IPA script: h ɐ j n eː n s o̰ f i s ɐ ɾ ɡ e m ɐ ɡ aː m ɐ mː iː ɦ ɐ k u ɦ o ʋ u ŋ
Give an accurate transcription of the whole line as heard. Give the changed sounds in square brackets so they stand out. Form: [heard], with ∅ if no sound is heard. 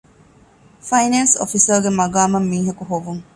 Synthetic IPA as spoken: [f] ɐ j n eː n s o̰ f i s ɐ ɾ ɡ e m ɐ ɡ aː m ɐ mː iː ɦ ɐ k u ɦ o ʋ u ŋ

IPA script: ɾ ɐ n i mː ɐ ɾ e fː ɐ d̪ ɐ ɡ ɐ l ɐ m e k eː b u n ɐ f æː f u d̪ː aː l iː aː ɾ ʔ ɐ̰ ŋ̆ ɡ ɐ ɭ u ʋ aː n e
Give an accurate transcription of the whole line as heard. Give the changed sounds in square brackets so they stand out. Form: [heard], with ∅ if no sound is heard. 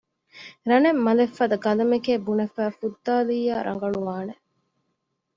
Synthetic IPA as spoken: ɾ ɐ n [e] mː ɐ [l] e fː ɐ d̪ ɐ ɡ ɐ l ɐ m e k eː b u n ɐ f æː f u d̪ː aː l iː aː ɾ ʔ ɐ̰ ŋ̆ ɡ ɐ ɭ u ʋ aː n e

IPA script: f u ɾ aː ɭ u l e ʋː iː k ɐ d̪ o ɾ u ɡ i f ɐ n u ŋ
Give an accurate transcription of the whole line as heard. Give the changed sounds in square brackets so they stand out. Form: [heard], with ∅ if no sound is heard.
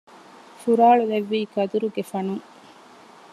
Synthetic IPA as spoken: f u ɾ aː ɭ u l e ʋː iː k ɐ d̪ [u] ɾ u ɡ [e] f ɐ n u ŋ

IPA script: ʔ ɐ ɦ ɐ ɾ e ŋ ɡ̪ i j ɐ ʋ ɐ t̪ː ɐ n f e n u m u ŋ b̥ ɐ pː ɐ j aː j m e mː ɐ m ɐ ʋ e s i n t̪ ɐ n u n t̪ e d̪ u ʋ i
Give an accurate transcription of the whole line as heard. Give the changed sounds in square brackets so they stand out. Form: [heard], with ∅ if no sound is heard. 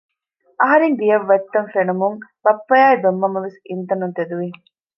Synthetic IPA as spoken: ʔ ɐ ɦ ɐ ɾ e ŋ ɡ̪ i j ɐ [ʋː] ɐ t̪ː ɐ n f e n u m u ŋ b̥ ɐ pː ɐ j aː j [b] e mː ɐ m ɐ ʋ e s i n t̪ ɐ n u n t̪ e d̪ u ʋ i

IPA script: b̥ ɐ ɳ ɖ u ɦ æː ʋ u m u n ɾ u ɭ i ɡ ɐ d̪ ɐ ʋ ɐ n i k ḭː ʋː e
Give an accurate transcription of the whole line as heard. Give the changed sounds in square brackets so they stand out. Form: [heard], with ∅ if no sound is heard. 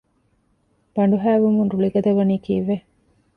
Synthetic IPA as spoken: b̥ ɐ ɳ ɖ u ɦ æː ʋ u m u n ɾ u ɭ i ɡ ɐ d̪ ɐ ʋ ɐ n [iː] k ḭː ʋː e

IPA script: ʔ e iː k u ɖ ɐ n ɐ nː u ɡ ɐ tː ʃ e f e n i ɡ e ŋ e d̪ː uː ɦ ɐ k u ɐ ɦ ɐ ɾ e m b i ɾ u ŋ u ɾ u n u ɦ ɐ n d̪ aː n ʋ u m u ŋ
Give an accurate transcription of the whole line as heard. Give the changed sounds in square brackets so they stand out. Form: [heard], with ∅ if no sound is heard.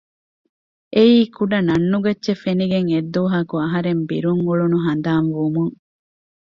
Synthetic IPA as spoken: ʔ e iː k u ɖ ɐ n ɐ nː u ɡ ɐ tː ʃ e f e n i ɡ e ŋ e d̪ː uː ɦ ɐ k u ɐ ɦ ɐ ɾ e m b i ɾ u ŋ u [ɭ] u n u ɦ ɐ n d̪ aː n ʋ u m u ŋ

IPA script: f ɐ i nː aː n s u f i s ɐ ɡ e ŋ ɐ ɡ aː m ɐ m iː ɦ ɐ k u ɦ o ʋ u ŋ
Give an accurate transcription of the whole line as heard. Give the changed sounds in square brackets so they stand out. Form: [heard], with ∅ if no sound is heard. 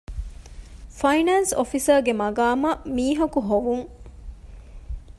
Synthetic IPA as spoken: f ɐ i [n] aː n s [o] f i s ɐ ɡ e [m] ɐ ɡ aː m ɐ m iː ɦ ɐ k u ɦ o ʋ u ŋ

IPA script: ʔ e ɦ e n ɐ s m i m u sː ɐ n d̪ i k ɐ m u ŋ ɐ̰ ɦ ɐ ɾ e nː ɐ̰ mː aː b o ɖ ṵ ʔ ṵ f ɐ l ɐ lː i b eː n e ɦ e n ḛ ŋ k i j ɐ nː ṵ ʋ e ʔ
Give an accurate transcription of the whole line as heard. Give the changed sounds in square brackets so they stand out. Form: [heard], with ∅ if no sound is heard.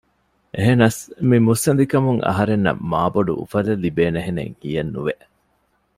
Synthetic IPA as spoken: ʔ e ɦ e n ɐ s m i m u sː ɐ n d̪ i k ɐ m u ŋ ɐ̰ ɦ ɐ ɾ e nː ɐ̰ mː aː b o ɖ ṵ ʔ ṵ f ɐ l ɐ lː i b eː n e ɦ e n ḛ ŋ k i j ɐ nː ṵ ʋ e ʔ

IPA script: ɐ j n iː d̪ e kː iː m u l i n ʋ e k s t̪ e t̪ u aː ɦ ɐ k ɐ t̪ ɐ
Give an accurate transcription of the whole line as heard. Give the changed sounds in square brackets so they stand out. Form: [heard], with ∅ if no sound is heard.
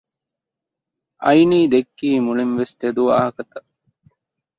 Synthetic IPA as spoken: ɐ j n iː d̪ e kː iː m u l i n ʋ e [∅] s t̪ e [d̪] u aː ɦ ɐ k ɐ t̪ ɐ

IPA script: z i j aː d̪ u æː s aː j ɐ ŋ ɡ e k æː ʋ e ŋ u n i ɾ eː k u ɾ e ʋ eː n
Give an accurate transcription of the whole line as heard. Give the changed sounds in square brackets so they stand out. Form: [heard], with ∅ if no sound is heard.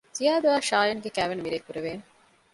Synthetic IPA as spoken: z i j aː d̪ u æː [ʃ] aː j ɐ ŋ ɡ e k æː ʋ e [n] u [m] i ɾ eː k u ɾ e ʋ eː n

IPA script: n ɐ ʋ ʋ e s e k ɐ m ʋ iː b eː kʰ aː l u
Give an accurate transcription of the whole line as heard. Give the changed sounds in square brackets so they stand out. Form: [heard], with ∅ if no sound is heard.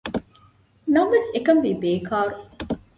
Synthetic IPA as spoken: n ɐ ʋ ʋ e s e k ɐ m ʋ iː b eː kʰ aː [ɾ] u

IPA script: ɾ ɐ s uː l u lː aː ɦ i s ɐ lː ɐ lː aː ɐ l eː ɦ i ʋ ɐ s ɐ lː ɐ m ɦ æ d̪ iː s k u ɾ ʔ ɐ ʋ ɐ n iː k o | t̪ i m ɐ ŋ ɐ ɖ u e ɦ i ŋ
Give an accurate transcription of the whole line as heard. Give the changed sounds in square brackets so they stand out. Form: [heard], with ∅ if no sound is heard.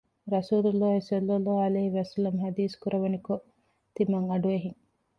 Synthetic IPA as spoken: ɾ ɐ s uː l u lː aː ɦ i s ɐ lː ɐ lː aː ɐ l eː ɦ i ʋ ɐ s ɐ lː ɐ m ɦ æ d̪ iː s k u ɾ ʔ ɐ ʋ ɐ n [i] k o | t̪ i m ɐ ŋ ɐ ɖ u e ɦ i ŋ

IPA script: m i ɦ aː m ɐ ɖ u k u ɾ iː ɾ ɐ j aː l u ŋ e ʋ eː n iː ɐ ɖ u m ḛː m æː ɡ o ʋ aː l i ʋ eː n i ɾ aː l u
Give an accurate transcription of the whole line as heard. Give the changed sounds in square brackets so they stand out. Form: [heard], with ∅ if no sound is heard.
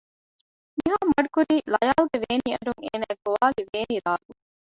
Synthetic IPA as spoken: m i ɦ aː m ɐ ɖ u k u ɾ iː [l] ɐ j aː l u [ɡ] e ʋ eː n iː ɐ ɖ u [ŋ] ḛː [n] æː ɡ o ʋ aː l i ʋ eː n i ɾ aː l u

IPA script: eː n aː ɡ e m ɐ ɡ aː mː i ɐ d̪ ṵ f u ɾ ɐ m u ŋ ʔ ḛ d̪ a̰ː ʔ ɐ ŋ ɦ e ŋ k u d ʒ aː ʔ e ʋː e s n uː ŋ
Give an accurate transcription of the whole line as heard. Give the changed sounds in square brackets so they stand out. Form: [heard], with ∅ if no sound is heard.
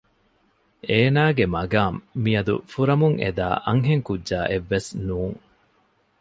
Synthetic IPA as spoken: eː n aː ɡ e m ɐ ɡ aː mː i ɐ d̪ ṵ f u ɾ ɐ m u ŋ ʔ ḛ d̪ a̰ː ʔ ɐ ŋ ɦ e ŋ k u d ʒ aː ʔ e ʋː e s n uː ŋ

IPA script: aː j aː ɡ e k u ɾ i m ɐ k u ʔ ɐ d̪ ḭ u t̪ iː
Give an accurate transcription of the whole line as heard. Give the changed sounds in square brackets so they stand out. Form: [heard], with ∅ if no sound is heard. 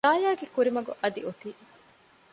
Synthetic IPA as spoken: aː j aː ɡ e k u ɾ i m ɐ [ɡ] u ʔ ɐ d̪ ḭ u t̪ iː

